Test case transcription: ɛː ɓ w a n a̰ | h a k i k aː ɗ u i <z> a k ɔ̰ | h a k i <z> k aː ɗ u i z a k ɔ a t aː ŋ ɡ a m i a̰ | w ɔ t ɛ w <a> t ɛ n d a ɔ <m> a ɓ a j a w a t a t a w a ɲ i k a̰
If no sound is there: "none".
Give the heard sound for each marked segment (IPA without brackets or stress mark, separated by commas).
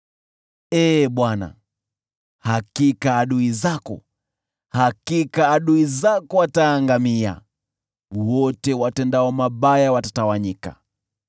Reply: z, none, a, m